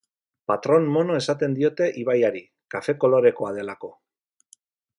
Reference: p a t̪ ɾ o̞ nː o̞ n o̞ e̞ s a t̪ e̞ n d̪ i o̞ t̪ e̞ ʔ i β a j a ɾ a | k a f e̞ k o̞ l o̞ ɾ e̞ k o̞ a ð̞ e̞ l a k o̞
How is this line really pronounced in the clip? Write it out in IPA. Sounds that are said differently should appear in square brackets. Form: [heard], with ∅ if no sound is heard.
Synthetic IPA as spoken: p a t̪ ɾ o̞ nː o̞ n o̞ e̞ s a t̪ e̞ n d̪ i o̞ t̪ e̞ ʔ i β a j a ɾ [i] | k a f e̞ k o̞ l o̞ ɾ e̞ k o̞ a ð̞ e̞ l a k o̞